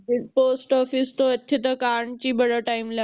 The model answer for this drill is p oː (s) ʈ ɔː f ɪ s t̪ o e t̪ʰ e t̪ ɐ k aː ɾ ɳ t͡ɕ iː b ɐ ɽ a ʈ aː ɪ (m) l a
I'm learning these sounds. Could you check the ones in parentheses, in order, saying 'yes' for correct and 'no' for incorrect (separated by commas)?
yes, yes